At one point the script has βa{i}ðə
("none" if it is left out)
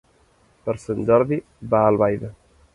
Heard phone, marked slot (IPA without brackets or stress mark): j